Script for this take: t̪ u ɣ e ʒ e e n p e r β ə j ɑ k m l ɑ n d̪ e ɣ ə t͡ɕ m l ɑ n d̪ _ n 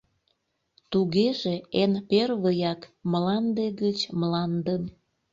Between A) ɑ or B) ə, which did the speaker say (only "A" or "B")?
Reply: B